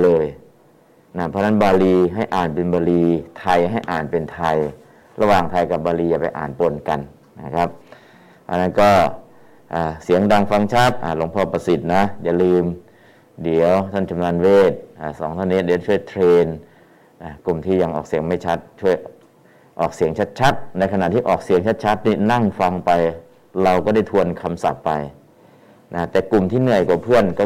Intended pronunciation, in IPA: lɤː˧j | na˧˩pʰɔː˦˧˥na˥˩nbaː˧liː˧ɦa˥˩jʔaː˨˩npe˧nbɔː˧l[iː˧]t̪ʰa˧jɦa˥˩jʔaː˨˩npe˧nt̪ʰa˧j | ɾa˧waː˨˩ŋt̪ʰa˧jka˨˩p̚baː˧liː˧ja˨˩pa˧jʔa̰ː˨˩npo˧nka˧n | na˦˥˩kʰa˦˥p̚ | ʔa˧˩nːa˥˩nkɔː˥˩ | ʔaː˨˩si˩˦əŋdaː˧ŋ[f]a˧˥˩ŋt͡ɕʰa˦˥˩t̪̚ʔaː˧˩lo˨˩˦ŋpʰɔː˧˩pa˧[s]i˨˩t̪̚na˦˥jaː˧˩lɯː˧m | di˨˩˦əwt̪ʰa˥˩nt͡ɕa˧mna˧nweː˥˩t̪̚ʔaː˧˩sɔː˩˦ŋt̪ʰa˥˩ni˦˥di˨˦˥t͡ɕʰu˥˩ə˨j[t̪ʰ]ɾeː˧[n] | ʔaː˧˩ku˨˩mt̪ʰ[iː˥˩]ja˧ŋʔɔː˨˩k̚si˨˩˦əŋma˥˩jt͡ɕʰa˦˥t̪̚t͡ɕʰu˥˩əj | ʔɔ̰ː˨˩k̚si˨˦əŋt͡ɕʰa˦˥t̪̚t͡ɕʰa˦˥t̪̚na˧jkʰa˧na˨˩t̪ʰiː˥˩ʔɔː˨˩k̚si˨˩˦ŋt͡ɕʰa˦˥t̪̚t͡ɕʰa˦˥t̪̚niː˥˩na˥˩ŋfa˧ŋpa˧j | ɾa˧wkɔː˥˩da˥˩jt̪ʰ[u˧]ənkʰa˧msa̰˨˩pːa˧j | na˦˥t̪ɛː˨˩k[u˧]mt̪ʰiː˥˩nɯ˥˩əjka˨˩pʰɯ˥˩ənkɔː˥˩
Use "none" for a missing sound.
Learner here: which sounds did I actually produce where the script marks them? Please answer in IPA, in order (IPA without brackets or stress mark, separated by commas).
iː˧, f, s, t̪ʰ, n, iː˥˩, u˧, u˨˩